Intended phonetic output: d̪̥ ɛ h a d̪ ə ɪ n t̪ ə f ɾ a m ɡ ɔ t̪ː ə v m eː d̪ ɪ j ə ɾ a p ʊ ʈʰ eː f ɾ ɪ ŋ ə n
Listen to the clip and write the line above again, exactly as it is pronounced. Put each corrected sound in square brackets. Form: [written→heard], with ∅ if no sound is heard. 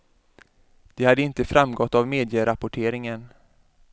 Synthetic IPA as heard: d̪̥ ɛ h a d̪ ə ɪ n t̪ ə f ɾ a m ɡ ɔ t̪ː [ə→a] v m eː d̪ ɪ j ə ɾ a p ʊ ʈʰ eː [f→∅] ɾ ɪ ŋ ə n